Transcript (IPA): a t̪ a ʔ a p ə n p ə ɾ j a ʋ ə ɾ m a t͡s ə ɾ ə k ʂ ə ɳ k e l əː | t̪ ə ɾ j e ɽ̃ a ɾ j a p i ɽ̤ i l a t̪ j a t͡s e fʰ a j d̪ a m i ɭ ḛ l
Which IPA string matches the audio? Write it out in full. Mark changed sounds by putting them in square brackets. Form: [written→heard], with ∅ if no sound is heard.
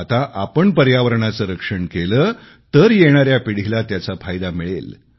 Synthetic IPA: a t̪ a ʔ a p ə [n→ɳ] p ə ɾ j a ʋ ə ɾ [m→ɳ] a t͡s ə ɾ ə k ʂ ə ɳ k e l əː | t̪ ə ɾ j e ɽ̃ a ɾ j a p i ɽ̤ i l a t̪ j a t͡s [e→a] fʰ a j d̪ a m i ɭ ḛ l